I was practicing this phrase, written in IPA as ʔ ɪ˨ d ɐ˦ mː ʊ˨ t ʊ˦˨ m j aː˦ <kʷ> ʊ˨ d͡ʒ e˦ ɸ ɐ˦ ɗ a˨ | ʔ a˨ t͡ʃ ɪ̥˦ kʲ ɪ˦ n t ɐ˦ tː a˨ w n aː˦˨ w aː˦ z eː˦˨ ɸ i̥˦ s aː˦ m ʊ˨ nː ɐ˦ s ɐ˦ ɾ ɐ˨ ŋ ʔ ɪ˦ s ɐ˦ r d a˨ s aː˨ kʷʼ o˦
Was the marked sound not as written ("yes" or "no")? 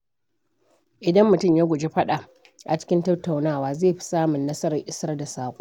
yes